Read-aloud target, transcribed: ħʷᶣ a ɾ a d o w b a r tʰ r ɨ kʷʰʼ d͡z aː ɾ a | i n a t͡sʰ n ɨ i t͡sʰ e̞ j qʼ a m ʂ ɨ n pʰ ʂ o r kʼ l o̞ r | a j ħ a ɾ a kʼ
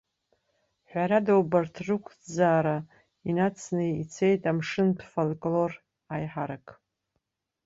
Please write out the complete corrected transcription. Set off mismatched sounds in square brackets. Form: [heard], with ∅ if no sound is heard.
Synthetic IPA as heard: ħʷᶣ a ɾ a d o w b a r tʰ r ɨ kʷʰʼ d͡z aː ɾ a | i n a t͡sʰ n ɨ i t͡sʰ e̞ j [tʼ] a m ʂ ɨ n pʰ [f] o [l] kʼ l o̞ r | a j ħ a ɾ a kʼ